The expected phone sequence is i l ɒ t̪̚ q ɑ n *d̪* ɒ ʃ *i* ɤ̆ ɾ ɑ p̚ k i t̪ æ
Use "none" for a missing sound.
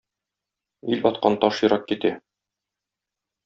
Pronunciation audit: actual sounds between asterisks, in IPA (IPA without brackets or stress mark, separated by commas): t̪, j